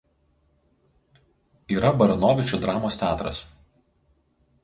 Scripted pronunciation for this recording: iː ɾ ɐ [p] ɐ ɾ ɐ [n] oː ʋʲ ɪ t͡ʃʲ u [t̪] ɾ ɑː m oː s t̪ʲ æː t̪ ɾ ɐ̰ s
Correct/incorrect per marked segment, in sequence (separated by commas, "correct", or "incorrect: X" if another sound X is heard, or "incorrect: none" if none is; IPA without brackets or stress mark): incorrect: b, correct, incorrect: d̪